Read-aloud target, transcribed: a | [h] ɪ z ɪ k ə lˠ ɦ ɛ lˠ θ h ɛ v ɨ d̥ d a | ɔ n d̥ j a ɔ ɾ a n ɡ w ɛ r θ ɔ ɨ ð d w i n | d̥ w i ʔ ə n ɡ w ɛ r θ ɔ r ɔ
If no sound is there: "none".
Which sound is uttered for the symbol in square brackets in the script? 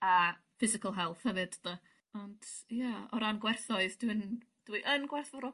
f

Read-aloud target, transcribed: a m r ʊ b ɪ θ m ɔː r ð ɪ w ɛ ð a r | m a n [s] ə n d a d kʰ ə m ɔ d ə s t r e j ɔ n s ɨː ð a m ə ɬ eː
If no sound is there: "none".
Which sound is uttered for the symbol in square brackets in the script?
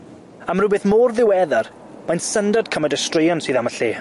s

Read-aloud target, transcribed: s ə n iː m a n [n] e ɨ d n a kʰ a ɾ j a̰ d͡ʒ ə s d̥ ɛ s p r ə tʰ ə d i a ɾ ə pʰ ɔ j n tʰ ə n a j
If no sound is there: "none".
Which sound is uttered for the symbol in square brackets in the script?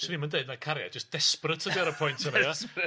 d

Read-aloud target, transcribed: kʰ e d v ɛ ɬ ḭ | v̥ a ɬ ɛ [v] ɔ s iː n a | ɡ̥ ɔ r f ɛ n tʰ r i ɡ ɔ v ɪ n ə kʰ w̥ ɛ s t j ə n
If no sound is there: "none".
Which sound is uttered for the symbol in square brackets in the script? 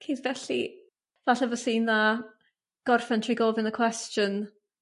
v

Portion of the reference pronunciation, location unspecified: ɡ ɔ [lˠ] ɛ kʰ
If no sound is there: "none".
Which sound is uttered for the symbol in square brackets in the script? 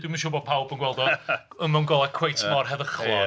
lˠ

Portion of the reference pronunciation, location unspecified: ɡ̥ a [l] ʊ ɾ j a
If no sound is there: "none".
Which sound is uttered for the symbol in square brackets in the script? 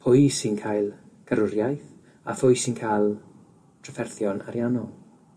ɾ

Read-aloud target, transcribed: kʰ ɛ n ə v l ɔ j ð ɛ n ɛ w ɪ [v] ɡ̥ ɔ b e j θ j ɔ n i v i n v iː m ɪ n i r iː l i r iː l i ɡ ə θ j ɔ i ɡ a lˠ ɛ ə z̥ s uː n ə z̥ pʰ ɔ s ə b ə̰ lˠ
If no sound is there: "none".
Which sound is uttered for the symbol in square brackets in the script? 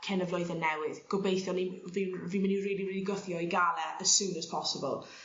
ð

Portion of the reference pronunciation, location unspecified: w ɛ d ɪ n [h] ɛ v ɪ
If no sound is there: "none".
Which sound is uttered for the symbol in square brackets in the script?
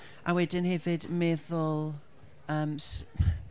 h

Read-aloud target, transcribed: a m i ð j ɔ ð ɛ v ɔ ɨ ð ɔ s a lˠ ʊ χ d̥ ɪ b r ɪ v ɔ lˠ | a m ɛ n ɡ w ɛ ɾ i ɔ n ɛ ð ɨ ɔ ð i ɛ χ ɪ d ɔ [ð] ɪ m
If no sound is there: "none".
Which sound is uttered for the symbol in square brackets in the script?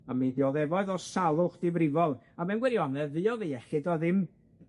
ð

